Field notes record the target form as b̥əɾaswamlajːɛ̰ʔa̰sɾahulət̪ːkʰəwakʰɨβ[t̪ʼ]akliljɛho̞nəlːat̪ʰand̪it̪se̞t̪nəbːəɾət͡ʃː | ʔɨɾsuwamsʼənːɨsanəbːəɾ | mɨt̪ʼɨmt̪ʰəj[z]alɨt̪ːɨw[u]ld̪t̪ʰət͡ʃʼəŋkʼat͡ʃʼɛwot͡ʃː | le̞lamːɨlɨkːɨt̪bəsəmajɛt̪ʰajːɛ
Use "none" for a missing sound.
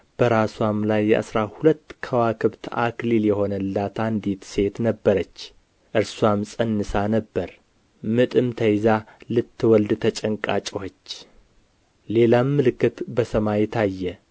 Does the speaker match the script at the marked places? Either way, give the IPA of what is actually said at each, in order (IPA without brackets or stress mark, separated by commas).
t̪, z, ɔ